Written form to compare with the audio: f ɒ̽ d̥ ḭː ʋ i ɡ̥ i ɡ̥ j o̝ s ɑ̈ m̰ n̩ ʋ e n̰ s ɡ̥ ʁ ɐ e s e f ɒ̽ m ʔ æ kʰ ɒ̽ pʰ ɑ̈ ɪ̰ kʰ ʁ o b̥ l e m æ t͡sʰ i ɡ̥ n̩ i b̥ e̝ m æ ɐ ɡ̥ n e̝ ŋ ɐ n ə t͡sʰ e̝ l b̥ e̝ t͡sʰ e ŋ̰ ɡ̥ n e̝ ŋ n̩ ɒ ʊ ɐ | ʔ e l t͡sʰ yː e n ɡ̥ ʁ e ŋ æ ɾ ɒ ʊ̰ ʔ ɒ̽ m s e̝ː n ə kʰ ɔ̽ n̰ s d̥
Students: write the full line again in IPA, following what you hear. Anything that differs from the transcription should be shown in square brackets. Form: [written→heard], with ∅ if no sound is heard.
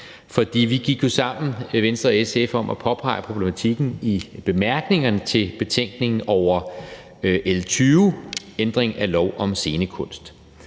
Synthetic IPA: f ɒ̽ d̥ ḭː ʋ i ɡ̥ i ɡ̥ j o̝ s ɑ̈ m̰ n̩ ʋ e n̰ s [ɡ̥→d̥] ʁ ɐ e s e f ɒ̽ m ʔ æ [kʰ→pʰ] ɒ̽ pʰ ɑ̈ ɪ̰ [kʰ→pʰ] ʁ o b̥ l e m æ t͡sʰ i ɡ̥ n̩ i b̥ e̝ m æ ɐ ɡ̥ n e̝ ŋ ɐ n ə t͡sʰ e̝ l b̥ e̝ t͡sʰ e ŋ̰ ɡ̥ n e̝ ŋ n̩ ɒ ʊ ɐ | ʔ e l t͡sʰ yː e n [ɡ̥→d̥] ʁ e ŋ æ [ɾ→l] ɒ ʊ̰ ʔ ɒ̽ m s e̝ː n ə kʰ ɔ̽ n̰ s d̥

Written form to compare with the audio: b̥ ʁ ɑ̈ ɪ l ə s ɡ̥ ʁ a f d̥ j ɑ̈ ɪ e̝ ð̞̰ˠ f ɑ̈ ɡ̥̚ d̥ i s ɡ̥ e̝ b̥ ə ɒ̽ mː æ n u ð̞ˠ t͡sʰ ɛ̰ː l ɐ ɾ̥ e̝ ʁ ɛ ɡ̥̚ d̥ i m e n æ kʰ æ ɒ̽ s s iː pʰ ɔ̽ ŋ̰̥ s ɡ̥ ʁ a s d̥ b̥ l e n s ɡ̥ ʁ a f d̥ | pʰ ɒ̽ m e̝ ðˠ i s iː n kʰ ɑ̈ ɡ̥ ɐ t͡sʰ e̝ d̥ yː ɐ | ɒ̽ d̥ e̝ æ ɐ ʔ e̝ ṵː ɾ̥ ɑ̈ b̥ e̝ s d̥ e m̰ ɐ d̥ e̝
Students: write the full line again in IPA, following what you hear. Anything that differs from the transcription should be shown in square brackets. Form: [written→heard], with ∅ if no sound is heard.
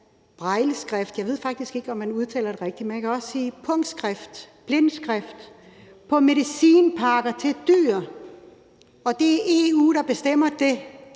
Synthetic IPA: b̥ ʁ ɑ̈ ɪ l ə s ɡ̥ ʁ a f d̥ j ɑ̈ ɪ e̝ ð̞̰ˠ f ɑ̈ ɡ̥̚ d̥ i s ɡ̥ e̝ [b̥→ɡ̥] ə ɒ̽ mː æ n u ð̞ˠ t͡sʰ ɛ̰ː l ɐ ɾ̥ e̝ ʁ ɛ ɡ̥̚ d̥ i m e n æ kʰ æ ɒ̽ s s iː pʰ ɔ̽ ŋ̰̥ s ɡ̥ ʁ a [s→f] d̥ b̥ l e n s ɡ̥ ʁ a f d̥ | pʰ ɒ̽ m e̝ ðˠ i s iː n [kʰ→pʰ] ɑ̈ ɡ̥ ɐ t͡sʰ e̝ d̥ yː ɐ | ɒ̽ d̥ e̝ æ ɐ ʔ e̝ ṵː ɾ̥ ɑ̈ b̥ e̝ s d̥ e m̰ ɐ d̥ e̝

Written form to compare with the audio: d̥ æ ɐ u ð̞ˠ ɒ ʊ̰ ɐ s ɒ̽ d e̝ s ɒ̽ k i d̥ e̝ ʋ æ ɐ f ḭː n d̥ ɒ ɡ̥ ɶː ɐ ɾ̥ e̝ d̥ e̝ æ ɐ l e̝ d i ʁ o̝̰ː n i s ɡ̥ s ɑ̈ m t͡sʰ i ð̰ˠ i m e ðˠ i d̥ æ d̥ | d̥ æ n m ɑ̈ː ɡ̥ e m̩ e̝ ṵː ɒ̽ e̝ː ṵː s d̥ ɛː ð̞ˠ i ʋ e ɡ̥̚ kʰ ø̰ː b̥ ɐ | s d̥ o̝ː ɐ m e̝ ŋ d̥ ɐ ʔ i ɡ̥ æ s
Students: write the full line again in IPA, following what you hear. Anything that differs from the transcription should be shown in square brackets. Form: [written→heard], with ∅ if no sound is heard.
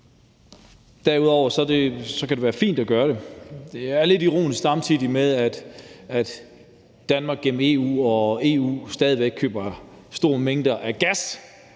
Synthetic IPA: d̥ æ ɐ u ð̞ˠ ɒ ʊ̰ ɐ s ɒ̽ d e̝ s ɒ̽ k [i→æ] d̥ e̝ ʋ [æ→æː] ɐ f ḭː n d̥ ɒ ɡ̥ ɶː ɐ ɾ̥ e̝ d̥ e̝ æ ɐ l e̝ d i ʁ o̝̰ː n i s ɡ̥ s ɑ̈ m t͡sʰ i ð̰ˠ i m e ðˠ [i→æ] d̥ æ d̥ | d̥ æ n m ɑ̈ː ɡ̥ e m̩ e̝ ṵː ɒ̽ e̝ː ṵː s d̥ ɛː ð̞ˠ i ʋ e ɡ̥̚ kʰ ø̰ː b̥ ɐ | s d̥ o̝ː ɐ m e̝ ŋ d̥ ɐ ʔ [i→æ] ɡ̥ æ s

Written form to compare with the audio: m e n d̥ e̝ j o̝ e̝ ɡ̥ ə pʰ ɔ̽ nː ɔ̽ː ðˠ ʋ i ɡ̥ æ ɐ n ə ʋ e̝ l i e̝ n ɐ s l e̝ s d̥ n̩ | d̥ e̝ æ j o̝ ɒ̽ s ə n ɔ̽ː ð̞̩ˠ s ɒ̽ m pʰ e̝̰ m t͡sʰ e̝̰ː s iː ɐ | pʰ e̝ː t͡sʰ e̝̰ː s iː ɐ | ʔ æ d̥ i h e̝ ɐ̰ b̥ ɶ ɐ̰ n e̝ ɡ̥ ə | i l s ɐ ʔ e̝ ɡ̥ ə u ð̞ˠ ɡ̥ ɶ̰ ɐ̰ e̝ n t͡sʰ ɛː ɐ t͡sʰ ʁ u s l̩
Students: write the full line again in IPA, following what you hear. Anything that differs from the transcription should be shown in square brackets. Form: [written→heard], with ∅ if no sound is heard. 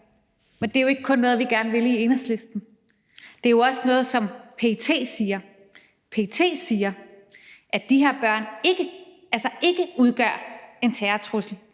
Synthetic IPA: m e n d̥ e̝ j o̝ e̝ ɡ̥ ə [pʰ→kʰ] ɔ̽ nː ɔ̽ː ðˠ ʋ i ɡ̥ æ ɐ n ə ʋ e̝ l i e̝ n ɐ s l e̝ s d̥ n̩ | d̥ e̝ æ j o̝ ɒ̽ s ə n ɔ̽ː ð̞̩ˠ s ɒ̽ m pʰ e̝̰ [m→∅] t͡sʰ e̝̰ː s iː ɐ | pʰ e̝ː t͡sʰ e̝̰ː s iː ɐ | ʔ æ d̥ i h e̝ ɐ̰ b̥ ɶ ɐ̰ n e̝ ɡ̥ ə | [i→æ] l s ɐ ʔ e̝ ɡ̥ ə u ð̞ˠ ɡ̥ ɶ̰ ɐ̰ e̝ n t͡sʰ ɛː ɐ t͡sʰ ʁ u s l̩

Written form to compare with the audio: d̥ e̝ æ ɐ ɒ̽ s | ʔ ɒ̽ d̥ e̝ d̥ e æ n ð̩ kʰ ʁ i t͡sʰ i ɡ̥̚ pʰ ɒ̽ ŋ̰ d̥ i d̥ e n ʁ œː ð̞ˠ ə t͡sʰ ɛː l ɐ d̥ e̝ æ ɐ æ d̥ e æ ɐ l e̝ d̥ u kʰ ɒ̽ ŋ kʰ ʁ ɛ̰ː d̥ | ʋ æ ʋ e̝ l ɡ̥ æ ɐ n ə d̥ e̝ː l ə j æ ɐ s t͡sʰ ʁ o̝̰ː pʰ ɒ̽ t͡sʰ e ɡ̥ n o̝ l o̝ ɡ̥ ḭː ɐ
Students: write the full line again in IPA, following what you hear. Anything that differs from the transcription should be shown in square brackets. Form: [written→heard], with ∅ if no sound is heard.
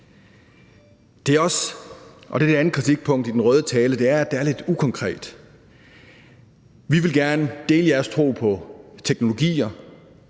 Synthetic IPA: d̥ e̝ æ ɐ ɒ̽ s | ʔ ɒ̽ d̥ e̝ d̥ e æ n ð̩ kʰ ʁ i t͡sʰ i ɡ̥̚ pʰ [ɒ̽→ɔ̽] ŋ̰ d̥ i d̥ e n ʁ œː ð̞ˠ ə t͡sʰ ɛː l [ɐ→ə] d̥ e̝ æ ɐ æ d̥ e æ ɐ l e̝ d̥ u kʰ ɒ̽ ŋ kʰ ʁ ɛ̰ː d̥ | ʋ [æ→i] ʋ e̝ l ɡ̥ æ ɐ n ə d̥ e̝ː l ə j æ ɐ s t͡sʰ ʁ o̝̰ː pʰ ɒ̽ t͡sʰ e ɡ̥ n o̝ l o̝ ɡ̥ ḭː ɐ

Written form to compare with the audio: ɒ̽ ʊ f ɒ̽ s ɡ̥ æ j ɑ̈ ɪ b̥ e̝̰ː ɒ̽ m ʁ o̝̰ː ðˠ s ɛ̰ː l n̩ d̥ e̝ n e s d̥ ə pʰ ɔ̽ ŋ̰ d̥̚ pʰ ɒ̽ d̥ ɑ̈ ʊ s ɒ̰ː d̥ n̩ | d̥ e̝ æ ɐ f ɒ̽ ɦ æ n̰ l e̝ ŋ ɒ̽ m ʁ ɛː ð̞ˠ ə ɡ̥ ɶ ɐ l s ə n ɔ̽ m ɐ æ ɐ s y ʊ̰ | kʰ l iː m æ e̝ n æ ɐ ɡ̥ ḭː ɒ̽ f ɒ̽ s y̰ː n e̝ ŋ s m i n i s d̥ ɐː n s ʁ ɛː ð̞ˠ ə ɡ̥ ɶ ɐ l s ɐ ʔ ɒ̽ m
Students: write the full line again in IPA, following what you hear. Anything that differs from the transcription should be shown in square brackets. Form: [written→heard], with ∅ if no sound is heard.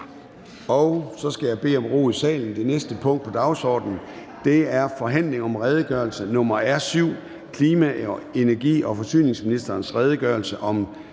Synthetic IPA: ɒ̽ ʊ [f→s] ɒ̽ s ɡ̥ æ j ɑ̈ ɪ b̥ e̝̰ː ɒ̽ m ʁ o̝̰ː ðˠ s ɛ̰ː l n̩ d̥ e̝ n e s d̥ ə pʰ ɔ̽ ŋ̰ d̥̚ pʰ ɒ̽ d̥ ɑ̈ ʊ s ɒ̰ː d̥ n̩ | d̥ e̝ æ ɐ f ɒ̽ ɦ æ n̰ l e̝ ŋ ɒ̽ m ʁ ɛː ð̞ˠ ə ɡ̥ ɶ ɐ l s ə n ɔ̽ m ɐ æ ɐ s y ʊ̰ | kʰ l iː m æ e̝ n æ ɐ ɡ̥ ḭː ɒ̽ f ɒ̽ s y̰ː n e̝ ŋ s m i n i s d̥ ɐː n s ʁ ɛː ð̞ˠ ə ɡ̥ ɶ ɐ l s [ɐ→ə] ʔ ɒ̽ m

